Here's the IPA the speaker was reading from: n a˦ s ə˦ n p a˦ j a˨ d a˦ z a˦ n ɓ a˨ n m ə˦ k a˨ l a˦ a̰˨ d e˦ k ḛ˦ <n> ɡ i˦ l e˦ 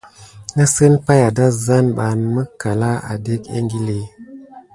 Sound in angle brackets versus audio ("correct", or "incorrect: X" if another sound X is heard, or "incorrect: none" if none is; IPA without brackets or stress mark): incorrect: ŋ